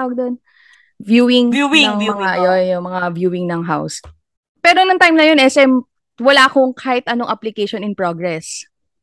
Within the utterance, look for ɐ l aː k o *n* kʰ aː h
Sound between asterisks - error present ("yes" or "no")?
yes